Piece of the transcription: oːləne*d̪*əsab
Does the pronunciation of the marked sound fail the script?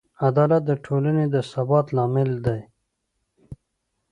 no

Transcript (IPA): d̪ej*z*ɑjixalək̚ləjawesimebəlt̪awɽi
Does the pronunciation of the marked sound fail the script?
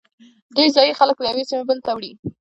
no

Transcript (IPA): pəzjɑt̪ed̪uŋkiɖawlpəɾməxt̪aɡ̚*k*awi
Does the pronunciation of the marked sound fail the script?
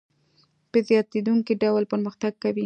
no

